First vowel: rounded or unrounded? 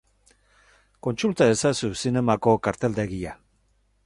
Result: rounded